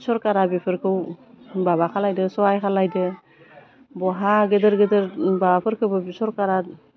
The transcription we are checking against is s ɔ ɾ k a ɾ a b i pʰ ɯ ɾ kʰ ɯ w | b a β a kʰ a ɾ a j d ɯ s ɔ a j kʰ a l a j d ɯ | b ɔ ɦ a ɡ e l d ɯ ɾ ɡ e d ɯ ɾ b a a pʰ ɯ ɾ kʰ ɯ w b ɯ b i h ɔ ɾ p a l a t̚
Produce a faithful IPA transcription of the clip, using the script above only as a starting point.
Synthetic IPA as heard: s ɔ ɾ k a ɾ a b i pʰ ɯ ɾ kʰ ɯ w | b a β a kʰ a l a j d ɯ s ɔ a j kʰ a l a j d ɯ | b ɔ ɦ a ɡ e d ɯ ɾ ɡ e d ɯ ɾ b a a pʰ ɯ ɾ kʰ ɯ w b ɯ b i s ɔ ɾ k a ɾ a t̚